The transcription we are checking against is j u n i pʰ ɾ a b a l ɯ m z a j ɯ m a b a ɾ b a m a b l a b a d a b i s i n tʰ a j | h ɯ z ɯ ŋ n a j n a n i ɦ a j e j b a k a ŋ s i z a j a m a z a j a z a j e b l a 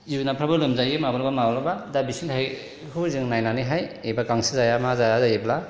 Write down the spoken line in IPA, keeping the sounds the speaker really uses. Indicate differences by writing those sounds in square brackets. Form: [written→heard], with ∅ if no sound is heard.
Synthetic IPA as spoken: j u n [i→a] pʰ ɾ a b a l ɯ m z a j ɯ m a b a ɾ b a m a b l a b a d a b i s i n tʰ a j | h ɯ z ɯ ŋ n a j n a n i ɦ a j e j b a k a ŋ s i z a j a m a z a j a z a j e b l a